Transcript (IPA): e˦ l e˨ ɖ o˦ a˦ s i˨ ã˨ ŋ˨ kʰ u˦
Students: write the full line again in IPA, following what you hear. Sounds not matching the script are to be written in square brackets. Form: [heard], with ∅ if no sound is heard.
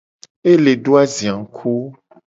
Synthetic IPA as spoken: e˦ l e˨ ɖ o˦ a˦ [z] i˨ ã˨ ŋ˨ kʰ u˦